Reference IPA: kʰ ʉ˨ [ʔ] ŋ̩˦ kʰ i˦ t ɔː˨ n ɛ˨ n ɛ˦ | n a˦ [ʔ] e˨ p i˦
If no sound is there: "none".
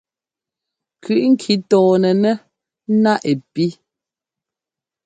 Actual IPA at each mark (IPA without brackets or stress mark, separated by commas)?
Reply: ʔ, ʔ